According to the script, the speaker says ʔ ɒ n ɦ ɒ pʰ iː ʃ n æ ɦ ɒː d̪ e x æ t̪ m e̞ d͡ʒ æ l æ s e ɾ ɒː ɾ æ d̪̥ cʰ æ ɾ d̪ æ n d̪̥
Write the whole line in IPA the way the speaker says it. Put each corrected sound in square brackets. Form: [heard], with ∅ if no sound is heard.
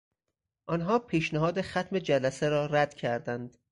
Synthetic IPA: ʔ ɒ n ɦ [ɒː] pʰ iː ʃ n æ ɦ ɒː d̪ e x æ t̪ m e̞ d͡ʒ æ l æ s e ɾ ɒː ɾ æ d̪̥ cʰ æ ɾ d̪ æ n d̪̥